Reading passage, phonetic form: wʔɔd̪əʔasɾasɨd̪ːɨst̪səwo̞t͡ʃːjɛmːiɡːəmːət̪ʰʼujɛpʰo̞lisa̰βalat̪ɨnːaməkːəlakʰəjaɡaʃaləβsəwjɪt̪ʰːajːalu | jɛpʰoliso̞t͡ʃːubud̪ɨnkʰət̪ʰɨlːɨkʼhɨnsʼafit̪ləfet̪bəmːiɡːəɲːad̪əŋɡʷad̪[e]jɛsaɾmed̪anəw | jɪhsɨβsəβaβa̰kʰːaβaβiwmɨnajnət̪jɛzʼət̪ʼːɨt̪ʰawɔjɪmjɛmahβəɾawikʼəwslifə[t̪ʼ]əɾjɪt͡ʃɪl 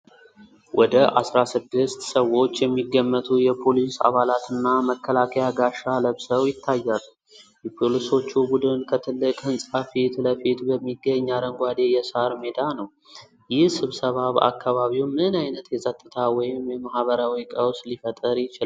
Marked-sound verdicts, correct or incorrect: correct, correct

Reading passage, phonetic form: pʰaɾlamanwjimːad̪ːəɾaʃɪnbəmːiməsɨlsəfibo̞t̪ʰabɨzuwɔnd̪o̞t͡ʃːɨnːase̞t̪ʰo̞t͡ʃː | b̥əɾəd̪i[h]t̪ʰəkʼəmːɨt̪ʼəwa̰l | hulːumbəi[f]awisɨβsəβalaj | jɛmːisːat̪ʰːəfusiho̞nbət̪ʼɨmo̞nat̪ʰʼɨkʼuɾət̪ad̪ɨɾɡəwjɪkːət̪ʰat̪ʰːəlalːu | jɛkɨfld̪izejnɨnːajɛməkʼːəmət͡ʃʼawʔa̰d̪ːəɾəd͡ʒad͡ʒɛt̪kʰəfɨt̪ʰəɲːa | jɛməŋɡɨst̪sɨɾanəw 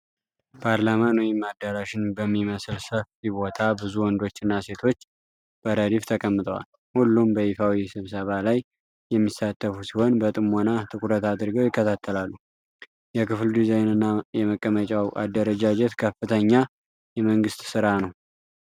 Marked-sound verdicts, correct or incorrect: incorrect: f, correct

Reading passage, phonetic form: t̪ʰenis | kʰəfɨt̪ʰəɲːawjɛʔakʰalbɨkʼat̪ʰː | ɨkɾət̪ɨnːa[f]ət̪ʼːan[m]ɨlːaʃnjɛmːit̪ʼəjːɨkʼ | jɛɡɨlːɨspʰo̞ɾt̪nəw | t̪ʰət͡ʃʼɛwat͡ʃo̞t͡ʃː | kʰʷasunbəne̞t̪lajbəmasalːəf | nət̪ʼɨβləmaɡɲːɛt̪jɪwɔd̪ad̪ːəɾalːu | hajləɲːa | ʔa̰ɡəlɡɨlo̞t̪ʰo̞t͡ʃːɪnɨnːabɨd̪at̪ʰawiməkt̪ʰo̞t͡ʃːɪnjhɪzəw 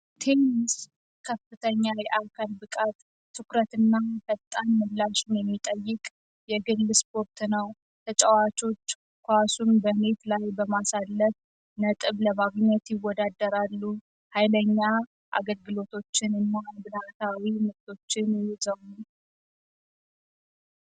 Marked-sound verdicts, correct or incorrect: correct, correct

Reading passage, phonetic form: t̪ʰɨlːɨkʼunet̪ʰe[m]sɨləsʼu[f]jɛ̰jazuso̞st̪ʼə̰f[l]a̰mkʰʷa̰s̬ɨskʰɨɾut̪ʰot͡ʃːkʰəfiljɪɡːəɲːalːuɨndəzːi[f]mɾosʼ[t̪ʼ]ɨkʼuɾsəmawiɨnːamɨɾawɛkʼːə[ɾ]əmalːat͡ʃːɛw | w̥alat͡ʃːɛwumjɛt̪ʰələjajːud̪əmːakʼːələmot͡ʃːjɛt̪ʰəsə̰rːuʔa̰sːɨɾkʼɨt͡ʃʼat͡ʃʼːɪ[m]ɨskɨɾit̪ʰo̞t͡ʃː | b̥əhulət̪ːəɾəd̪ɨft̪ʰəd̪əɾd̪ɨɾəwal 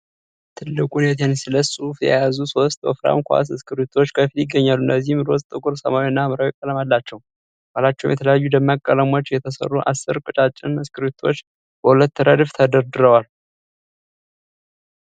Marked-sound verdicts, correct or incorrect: incorrect: n, correct, incorrect: ɾ, incorrect: h, correct, incorrect: l, incorrect: n

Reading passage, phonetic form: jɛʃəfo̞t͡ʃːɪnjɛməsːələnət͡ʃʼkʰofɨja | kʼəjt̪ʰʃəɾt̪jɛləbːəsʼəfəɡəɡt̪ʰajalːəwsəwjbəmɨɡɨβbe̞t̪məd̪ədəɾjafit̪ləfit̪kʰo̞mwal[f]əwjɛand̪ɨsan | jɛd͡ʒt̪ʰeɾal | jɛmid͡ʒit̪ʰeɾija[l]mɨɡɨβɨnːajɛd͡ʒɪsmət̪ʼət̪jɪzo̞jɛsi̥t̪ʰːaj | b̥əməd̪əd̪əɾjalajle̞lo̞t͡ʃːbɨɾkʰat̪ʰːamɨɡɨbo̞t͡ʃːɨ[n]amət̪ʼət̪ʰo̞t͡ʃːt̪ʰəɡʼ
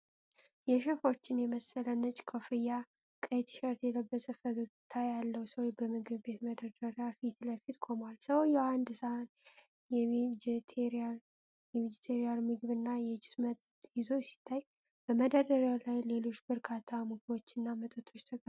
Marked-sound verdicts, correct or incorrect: incorrect: s, correct, incorrect: nː

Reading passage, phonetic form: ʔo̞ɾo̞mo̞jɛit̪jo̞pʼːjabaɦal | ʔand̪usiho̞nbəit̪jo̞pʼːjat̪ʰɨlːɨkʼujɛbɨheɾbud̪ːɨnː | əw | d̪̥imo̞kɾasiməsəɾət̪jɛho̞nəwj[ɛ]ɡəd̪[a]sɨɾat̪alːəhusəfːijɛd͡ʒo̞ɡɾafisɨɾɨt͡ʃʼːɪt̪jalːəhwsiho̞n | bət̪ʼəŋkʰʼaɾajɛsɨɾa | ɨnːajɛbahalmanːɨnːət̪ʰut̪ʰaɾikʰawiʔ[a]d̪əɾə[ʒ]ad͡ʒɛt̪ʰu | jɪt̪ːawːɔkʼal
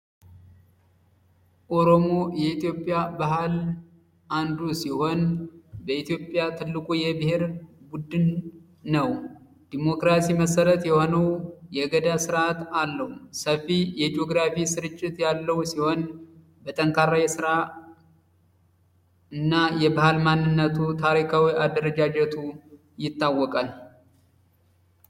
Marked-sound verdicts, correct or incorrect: correct, correct, correct, incorrect: d͡ʒ

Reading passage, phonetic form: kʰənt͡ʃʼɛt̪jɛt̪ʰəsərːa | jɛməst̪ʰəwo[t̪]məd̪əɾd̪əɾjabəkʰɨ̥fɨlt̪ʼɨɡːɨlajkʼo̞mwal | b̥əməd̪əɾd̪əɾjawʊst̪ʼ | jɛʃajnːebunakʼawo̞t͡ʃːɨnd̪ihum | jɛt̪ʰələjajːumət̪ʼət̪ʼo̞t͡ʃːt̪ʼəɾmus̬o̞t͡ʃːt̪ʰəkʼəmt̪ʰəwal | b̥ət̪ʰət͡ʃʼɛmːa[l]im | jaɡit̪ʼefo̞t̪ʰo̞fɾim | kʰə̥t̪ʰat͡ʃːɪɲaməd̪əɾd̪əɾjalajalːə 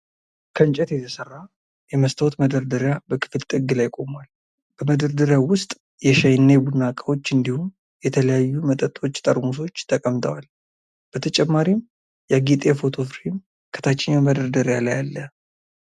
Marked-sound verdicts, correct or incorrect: correct, incorrect: ɾ

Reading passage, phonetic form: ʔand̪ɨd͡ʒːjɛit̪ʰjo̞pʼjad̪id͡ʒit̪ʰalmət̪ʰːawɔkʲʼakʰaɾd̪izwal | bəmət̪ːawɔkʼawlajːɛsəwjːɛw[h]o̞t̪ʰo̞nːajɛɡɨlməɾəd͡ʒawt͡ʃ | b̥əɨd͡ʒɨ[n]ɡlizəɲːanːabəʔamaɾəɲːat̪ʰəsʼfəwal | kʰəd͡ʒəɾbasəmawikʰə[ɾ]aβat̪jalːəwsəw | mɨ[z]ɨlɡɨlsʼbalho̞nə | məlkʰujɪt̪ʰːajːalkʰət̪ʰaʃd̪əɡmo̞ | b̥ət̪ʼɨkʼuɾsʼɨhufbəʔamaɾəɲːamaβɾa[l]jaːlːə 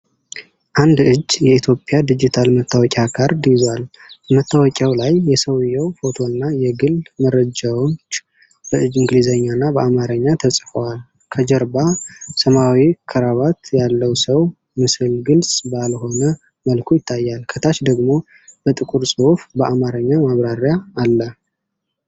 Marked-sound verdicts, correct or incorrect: incorrect: f, incorrect: ŋ, correct, incorrect: s, incorrect: ɾ

